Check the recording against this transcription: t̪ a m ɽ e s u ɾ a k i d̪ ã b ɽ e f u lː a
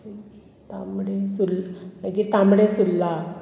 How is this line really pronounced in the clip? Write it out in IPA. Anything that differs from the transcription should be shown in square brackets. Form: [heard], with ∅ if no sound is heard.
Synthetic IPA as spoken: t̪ a m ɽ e s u [l] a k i [t̪] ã [m] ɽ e [s] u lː a